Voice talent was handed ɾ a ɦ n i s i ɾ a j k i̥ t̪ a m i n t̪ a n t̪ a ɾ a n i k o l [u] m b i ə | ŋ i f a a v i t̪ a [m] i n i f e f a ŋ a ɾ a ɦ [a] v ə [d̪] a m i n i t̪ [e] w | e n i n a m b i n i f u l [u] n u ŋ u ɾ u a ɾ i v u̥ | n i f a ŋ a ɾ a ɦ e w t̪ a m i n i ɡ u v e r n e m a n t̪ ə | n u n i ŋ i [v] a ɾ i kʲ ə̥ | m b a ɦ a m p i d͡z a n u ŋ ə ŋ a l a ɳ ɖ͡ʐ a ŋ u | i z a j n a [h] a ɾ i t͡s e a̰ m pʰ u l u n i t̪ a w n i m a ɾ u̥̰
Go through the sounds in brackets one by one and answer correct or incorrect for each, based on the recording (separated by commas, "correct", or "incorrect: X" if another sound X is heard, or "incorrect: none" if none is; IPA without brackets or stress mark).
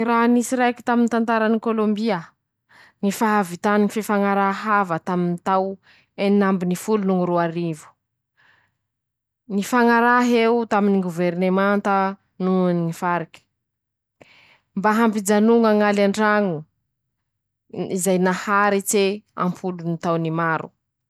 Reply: incorrect: o, incorrect: n, correct, incorrect: t̪, incorrect: a, correct, incorrect: f, correct